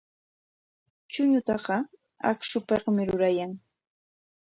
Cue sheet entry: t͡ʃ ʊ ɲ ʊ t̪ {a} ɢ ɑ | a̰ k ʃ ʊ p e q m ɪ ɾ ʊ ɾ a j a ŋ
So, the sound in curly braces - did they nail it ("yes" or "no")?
no